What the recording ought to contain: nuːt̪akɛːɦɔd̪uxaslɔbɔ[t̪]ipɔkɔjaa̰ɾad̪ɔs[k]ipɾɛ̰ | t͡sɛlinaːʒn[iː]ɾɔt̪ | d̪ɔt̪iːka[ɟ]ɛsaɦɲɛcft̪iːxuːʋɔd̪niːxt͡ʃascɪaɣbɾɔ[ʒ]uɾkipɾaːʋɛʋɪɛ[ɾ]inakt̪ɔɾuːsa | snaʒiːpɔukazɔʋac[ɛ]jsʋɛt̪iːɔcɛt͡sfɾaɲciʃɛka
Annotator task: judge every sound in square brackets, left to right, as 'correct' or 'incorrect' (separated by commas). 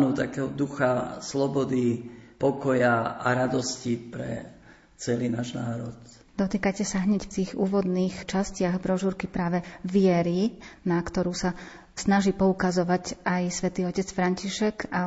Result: incorrect, incorrect, incorrect, incorrect, correct, correct, incorrect